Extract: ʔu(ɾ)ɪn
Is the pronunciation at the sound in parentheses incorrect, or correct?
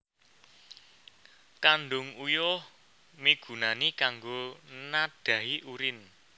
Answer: correct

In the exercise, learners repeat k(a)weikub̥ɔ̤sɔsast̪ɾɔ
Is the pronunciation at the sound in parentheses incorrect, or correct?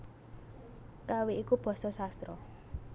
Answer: correct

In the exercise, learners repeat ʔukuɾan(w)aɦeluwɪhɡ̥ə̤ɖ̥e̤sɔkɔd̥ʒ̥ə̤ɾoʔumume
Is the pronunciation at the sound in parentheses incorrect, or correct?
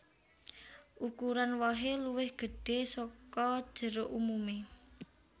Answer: correct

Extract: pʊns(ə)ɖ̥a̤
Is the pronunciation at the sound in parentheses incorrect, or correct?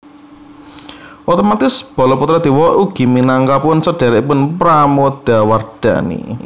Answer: correct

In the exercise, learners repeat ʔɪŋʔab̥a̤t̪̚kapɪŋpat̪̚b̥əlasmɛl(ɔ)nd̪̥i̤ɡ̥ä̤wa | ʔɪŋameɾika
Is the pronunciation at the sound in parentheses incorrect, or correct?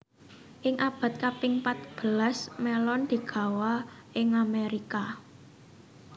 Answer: correct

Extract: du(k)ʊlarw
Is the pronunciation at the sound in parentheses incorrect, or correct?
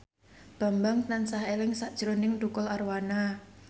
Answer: correct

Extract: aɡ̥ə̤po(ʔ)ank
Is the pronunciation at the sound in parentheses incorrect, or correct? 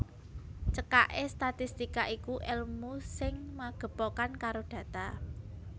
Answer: incorrect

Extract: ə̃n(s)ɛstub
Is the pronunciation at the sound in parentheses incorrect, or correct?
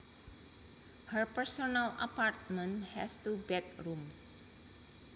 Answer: incorrect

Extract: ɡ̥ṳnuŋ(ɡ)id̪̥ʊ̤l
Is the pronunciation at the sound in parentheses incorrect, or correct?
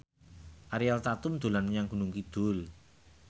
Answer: incorrect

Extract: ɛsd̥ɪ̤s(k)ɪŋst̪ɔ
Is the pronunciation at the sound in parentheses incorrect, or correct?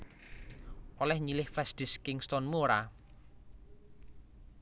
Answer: correct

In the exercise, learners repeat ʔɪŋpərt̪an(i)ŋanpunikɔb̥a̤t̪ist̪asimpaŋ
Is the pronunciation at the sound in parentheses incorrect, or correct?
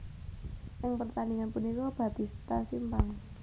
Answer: correct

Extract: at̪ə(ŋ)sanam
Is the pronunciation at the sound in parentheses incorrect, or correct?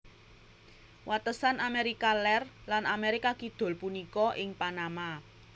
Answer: incorrect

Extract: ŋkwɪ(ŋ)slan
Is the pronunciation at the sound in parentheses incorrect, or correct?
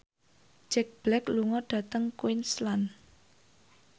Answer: incorrect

